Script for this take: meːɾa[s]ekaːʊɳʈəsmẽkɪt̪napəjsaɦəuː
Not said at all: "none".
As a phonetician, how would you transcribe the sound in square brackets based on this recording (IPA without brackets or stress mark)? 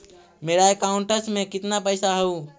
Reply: none